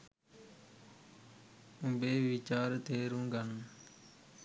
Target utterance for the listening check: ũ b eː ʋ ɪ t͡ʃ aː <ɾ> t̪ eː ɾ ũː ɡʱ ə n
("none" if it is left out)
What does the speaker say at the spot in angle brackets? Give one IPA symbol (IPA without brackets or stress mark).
ɾ